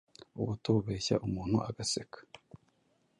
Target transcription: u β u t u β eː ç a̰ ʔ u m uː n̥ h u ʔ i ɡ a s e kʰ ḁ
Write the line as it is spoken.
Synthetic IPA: u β u t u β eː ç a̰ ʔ u m uː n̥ h u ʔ a ɡ a s e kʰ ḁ